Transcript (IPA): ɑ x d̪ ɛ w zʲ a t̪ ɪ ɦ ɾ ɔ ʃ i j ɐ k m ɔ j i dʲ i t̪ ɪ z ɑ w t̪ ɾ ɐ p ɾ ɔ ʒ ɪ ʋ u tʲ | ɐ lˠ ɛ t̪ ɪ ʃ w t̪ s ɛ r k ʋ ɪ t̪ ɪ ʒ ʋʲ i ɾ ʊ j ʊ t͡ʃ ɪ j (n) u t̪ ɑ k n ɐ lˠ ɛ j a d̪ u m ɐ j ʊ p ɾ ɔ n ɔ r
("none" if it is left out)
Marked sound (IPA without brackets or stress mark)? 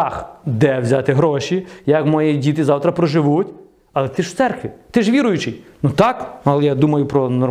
n